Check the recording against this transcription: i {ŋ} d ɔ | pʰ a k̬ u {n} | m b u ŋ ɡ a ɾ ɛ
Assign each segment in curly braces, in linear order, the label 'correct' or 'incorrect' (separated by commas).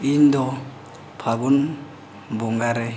incorrect, correct